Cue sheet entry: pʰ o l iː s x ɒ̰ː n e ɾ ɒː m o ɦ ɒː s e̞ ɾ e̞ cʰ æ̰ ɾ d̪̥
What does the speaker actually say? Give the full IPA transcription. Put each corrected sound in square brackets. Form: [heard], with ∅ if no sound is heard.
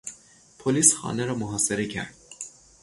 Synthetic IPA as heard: pʰ o l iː s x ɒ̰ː n e ɾ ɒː m o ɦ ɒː s e̞ ɾ e̞ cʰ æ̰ ɾ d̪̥